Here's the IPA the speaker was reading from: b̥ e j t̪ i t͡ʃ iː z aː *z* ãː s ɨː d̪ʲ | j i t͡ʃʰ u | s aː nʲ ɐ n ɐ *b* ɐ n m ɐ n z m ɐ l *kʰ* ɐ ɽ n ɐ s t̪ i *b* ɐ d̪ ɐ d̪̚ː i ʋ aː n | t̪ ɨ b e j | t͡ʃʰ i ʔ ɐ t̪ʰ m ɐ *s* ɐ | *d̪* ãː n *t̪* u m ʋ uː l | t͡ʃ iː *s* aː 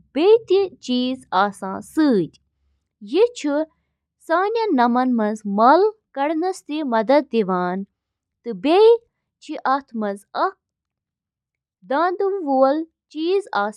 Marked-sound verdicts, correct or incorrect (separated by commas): incorrect, incorrect, incorrect, incorrect, incorrect, correct, incorrect, incorrect